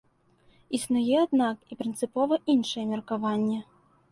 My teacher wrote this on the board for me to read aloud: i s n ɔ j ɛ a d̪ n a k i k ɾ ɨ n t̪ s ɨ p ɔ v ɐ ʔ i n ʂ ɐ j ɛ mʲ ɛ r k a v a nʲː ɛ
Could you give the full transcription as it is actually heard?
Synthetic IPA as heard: i s n u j ɛ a d̪ n a k i p ɾ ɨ n t̪ s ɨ p ɔ v ɐ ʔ i n ʂ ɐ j ɛ mʲ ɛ r k a v a nʲː ɛ